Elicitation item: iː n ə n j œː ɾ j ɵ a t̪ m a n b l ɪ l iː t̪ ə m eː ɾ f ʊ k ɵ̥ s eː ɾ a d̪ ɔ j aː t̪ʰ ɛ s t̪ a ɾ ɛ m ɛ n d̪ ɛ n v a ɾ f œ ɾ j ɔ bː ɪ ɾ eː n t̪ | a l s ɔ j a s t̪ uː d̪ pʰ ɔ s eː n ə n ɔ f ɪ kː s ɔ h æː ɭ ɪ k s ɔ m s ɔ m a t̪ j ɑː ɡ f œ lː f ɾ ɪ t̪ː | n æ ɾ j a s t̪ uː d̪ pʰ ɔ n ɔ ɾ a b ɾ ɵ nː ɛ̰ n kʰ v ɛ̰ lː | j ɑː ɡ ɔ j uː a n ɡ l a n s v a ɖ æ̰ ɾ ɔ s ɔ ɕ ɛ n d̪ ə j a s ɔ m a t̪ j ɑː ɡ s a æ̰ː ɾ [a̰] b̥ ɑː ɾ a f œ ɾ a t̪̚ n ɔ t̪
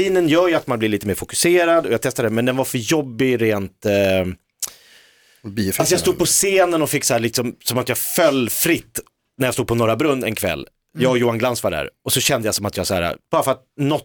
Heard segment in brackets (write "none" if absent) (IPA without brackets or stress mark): a̰